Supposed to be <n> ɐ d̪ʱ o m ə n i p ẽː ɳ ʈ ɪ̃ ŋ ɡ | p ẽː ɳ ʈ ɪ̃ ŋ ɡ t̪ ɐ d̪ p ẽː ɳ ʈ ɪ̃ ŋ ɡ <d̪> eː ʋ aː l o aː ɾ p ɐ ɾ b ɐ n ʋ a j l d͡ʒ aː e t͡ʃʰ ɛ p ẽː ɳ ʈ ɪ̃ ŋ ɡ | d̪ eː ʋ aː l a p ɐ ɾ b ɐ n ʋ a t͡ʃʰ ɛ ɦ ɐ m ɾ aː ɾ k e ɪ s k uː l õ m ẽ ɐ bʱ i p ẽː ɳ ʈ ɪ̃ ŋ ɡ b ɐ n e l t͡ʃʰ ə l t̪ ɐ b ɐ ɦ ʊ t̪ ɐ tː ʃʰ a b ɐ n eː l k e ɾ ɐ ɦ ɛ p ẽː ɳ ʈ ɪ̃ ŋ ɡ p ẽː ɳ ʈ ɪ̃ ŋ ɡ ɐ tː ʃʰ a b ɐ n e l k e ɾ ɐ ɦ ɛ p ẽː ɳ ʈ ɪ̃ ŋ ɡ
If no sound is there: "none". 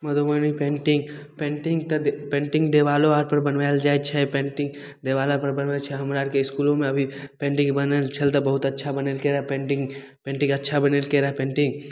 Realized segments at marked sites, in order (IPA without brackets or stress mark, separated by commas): m, d̪